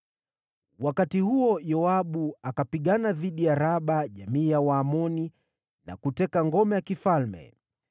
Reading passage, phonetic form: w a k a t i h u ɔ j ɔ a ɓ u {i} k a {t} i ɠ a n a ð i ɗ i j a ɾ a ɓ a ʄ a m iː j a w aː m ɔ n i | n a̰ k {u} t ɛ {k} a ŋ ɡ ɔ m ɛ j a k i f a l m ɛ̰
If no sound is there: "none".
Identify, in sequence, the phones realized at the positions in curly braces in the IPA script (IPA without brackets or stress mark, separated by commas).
a, p, u, k